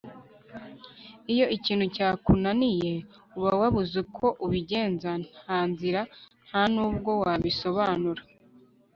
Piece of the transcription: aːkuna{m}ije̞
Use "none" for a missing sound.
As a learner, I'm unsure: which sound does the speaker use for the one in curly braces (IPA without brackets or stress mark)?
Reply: n